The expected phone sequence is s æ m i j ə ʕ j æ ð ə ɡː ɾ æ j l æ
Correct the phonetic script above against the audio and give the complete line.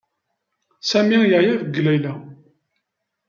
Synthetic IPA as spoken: s æ m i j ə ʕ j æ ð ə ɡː l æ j l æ